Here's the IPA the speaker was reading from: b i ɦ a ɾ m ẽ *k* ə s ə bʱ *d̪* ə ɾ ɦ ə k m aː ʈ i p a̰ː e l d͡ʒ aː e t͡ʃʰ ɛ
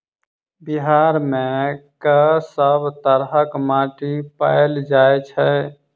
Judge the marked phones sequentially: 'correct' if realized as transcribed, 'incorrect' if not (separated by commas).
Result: correct, incorrect